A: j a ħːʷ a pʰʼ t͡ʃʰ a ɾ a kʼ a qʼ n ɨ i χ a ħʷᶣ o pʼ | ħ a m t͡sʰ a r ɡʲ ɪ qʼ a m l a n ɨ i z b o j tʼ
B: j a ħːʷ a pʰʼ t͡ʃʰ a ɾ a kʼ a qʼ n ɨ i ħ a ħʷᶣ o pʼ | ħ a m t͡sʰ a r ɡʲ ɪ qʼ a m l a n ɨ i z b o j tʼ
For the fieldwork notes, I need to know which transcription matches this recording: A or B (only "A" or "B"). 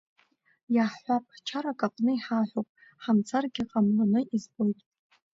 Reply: B